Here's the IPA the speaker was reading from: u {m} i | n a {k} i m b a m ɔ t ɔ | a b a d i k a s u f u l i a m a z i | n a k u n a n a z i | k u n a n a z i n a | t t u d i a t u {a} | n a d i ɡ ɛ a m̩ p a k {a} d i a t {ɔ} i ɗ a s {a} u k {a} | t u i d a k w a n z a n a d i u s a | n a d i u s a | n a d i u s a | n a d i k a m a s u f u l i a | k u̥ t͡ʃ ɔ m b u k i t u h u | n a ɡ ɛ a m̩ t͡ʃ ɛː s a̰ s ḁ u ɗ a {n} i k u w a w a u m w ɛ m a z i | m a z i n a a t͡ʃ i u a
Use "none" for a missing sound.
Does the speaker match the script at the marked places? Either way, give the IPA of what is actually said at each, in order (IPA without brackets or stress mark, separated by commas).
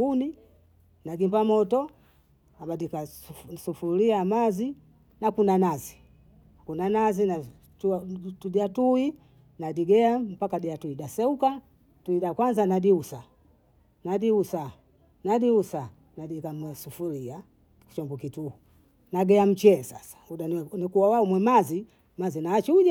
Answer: n, ɡ, i, a, u, ɛ, a, n